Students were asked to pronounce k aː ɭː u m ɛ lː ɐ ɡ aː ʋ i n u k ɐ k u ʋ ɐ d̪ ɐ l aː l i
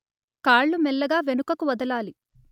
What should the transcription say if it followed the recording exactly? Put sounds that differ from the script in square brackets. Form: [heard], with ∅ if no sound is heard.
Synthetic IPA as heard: k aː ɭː u m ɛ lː ɐ ɡ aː ʋ [e] n u k ɐ k u ʋ ɐ d̪ ɐ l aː l i